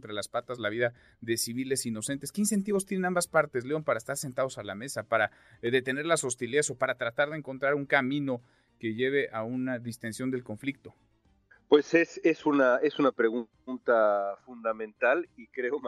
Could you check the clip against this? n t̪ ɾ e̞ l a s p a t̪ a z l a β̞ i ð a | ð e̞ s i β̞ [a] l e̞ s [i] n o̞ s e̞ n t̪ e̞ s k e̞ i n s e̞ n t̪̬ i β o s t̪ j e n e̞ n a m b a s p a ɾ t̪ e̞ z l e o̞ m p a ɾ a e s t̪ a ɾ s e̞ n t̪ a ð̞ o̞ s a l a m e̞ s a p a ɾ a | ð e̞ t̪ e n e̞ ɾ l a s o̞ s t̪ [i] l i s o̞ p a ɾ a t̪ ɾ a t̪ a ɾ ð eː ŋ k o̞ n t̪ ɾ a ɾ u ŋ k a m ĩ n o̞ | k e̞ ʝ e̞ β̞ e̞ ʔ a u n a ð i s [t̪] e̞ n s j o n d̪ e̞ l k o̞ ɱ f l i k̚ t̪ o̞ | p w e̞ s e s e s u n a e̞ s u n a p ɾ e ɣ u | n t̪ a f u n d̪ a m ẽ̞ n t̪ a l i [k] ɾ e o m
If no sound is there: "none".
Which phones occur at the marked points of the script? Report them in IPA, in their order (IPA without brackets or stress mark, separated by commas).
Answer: i, i, i, t̪, k